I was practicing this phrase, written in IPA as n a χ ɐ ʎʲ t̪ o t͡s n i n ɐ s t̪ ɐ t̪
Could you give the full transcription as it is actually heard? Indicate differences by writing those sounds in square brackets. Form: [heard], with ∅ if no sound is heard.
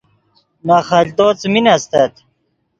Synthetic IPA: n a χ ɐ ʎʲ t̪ o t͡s [m] i n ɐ s t̪ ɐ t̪

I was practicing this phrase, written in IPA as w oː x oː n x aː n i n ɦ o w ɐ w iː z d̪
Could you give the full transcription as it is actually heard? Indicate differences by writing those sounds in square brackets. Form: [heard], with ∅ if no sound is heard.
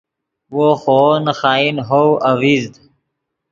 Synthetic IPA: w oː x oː n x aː [∅] i n ɦ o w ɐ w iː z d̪

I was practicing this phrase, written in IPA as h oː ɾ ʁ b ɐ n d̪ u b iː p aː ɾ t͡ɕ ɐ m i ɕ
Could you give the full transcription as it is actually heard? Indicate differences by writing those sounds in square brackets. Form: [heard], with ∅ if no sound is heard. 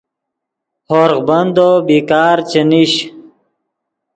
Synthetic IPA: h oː ɾ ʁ b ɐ n d̪ [o] b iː [k] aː ɾ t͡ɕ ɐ [n] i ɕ

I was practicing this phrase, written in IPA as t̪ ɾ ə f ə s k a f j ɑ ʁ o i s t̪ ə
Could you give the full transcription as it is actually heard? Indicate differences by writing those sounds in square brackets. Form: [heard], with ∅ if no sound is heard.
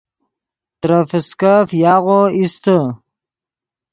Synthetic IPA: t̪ ɾ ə f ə s k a f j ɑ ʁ o i s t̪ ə

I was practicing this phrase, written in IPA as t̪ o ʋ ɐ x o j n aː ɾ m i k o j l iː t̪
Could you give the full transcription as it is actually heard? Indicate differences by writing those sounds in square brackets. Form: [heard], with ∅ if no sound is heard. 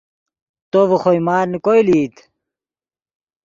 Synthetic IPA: t̪ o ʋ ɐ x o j [m] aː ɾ [n] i k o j l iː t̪

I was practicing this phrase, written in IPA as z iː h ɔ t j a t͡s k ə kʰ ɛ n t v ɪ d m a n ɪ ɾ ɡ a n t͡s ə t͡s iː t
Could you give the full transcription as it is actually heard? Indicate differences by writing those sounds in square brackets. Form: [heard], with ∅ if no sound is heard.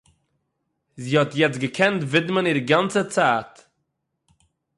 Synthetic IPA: z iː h ɔ t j [ɛ] t͡s [ɡ] ə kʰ ɛ n t v ɪ d m [ə] n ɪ ɾ ɡ a n t͡s ə t͡s [aː] t

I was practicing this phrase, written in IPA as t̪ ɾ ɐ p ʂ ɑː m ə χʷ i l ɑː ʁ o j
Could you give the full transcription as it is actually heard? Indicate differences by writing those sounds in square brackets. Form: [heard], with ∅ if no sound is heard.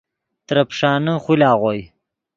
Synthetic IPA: t̪ ɾ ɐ p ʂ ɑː [n] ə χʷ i l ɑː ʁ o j

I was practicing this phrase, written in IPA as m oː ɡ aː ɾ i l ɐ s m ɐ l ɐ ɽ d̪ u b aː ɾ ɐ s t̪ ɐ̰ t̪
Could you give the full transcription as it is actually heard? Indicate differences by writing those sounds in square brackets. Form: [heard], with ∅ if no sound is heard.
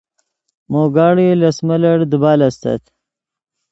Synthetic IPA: m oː ɡ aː [ɽ] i l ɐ s m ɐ l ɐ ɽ d̪ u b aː [l] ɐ s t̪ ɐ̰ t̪

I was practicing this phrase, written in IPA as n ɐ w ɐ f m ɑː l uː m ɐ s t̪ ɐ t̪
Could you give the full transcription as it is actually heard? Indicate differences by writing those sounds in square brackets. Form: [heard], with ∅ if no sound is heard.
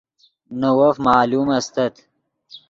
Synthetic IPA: n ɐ w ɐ f m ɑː l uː m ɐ s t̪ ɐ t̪

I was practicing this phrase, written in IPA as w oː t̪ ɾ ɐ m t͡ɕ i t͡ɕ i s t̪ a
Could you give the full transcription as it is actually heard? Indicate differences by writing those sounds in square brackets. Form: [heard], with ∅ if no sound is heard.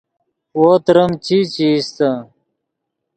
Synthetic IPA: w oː t̪ ɾ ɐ m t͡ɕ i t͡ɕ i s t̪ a

